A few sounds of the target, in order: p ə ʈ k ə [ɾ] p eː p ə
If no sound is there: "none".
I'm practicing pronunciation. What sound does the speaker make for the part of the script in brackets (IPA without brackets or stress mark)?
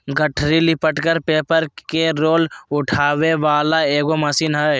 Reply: ɾ